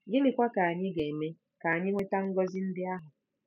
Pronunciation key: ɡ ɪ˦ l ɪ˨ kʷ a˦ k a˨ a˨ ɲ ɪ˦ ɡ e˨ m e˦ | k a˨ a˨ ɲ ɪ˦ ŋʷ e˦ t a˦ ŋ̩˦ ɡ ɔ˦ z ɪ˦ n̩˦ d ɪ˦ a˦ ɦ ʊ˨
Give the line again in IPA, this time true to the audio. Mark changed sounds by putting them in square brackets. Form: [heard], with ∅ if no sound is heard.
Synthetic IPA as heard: ɡ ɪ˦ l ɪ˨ kʷ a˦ k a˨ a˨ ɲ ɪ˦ ɡ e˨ m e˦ | k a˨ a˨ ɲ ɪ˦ ŋʷ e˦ t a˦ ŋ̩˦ ɡ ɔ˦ z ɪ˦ n̩˦ d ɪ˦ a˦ ɦ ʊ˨